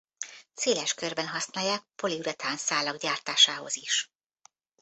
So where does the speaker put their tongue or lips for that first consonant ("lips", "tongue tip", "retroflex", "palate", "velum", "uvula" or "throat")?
tongue tip